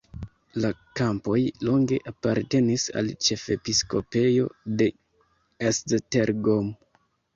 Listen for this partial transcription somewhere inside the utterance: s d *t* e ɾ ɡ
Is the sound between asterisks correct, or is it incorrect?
correct